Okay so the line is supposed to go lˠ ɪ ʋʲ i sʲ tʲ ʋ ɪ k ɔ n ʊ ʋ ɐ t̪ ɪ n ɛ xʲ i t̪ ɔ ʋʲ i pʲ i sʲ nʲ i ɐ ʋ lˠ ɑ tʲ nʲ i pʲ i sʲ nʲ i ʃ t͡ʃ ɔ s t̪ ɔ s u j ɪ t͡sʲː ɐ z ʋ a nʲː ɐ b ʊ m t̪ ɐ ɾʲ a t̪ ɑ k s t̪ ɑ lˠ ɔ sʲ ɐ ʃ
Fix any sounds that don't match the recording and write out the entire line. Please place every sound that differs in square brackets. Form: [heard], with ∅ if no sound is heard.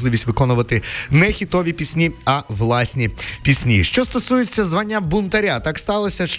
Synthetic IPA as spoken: lˠ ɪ ʋʲ i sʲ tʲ ʋ ɪ k ɔ n ʊ ʋ ɐ t̪ ɪ n ɛ xʲ i t̪ ɔ ʋʲ i pʲ i sʲ nʲ i ɐ ʋ lˠ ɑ [sʲ] nʲ i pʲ i sʲ nʲ i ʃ t͡ʃ ɔ s t̪ ɔ s u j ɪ t͡sʲː ɐ z ʋ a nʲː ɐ b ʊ [n] t̪ ɐ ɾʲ a t̪ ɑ k s t̪ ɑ lˠ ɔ sʲ ɐ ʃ